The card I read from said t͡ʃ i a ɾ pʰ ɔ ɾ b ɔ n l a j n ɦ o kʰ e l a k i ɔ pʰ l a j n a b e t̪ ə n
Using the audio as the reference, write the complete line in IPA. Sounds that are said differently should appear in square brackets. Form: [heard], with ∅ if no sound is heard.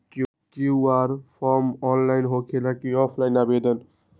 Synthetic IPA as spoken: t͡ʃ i a ɾ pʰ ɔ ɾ [m] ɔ n l a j n ɦ o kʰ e l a k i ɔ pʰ l a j n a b e [d̪] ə n